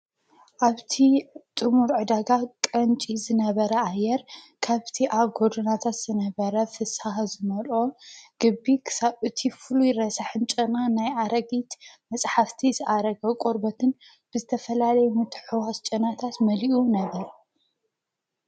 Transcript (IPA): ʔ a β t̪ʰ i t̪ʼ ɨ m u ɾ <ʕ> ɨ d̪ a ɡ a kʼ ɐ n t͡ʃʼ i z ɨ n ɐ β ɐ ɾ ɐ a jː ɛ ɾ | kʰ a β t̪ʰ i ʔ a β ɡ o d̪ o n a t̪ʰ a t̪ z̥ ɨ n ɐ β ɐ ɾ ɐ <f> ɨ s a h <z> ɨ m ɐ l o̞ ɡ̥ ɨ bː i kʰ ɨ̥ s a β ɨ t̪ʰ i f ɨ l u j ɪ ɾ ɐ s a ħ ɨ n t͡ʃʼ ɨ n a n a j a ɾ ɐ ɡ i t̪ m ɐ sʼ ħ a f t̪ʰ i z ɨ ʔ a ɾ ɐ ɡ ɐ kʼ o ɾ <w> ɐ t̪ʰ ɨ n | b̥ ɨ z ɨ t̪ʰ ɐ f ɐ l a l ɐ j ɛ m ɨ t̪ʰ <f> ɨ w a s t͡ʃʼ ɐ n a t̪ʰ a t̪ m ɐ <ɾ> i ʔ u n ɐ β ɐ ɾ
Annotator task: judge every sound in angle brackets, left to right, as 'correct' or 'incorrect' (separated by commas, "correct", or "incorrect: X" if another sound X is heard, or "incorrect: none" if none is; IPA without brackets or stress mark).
correct, correct, correct, incorrect: b, incorrect: ħ, incorrect: l